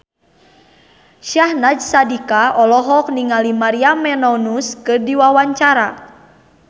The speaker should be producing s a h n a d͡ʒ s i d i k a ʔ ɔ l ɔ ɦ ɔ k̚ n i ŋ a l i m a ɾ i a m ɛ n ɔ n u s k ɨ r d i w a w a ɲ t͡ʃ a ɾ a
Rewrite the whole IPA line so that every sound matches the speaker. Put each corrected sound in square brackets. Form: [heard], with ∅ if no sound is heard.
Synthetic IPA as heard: [ʃ] a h n a d͡ʒ s [a] d i k a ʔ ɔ l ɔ ɦ ɔ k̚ n i ŋ a l i m a ɾ i a m ɛ n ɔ n u s k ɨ r d i w a w a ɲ t͡ʃ a ɾ a